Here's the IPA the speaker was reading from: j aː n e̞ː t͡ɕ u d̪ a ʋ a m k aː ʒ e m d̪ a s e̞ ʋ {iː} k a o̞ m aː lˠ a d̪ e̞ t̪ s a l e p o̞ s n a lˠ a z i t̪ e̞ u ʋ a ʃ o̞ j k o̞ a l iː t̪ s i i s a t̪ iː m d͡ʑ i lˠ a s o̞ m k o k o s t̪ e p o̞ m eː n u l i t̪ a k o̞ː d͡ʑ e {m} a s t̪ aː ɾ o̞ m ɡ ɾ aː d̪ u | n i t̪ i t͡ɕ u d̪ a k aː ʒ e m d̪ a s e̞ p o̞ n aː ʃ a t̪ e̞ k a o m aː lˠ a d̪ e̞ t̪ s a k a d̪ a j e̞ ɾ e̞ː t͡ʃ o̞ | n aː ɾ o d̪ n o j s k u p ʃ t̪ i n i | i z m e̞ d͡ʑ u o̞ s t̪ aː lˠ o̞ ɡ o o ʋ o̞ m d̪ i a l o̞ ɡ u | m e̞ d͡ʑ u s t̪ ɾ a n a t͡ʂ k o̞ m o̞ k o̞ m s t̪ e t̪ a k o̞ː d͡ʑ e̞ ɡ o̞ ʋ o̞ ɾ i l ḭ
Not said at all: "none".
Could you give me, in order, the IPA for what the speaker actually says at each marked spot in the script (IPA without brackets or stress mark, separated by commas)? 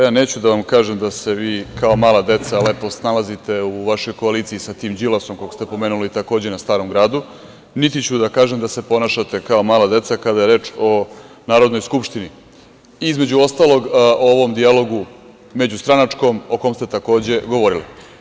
iː, n